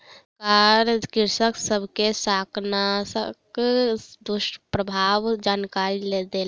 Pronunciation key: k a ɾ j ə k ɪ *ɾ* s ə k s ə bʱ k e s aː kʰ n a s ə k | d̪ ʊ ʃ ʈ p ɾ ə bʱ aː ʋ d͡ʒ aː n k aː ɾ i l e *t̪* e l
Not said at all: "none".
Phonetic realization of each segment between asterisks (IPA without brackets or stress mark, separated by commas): ɾ, d̪